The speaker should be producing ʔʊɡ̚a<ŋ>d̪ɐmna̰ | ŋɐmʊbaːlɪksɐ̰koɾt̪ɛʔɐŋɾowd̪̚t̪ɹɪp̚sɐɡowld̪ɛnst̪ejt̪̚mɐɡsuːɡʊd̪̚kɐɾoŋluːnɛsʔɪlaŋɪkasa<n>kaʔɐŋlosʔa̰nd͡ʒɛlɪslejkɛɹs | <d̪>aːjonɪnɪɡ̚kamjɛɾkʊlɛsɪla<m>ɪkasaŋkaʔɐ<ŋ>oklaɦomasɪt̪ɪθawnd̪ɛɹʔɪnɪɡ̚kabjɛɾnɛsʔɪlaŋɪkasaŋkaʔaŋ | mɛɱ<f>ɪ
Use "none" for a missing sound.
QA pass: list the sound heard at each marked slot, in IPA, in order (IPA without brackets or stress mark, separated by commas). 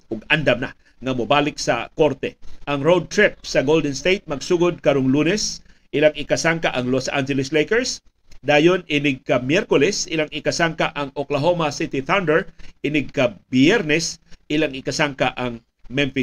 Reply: n, ŋ, d̪, ŋ, ŋ, f